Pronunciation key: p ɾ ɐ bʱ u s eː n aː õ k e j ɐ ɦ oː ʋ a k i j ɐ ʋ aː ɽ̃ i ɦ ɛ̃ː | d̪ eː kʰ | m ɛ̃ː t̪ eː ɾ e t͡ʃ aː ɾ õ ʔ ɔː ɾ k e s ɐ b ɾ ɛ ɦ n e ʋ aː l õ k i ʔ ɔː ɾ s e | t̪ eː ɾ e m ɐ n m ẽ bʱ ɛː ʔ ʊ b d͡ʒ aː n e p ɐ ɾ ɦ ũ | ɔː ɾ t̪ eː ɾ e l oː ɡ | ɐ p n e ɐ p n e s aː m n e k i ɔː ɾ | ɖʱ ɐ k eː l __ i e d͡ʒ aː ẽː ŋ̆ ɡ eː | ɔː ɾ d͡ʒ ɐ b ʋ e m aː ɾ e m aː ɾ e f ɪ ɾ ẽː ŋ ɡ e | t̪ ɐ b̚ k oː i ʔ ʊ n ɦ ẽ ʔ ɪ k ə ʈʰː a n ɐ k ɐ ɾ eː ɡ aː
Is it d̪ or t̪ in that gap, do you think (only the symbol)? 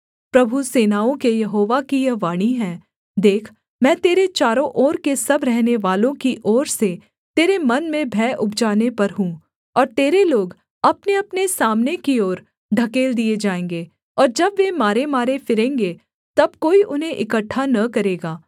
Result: d̪